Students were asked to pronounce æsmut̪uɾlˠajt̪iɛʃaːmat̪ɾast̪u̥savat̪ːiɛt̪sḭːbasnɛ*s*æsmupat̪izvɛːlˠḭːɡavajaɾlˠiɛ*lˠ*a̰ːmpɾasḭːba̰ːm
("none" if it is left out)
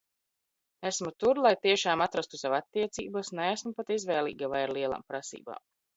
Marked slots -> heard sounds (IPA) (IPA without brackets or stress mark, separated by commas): none, lˠ